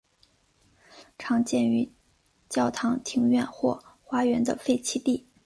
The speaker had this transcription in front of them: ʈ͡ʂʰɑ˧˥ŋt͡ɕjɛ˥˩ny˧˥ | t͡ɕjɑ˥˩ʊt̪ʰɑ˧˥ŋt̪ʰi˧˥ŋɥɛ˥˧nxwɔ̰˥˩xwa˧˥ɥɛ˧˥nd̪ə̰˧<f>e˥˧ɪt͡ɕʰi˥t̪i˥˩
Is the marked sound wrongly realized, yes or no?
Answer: no